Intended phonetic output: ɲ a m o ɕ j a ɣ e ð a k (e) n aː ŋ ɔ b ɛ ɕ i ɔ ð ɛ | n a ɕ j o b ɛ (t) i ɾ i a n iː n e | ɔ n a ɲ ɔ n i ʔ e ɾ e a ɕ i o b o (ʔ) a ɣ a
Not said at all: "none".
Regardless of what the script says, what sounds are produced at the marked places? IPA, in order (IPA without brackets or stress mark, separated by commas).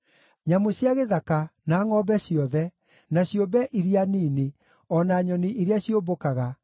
a, ʔ, k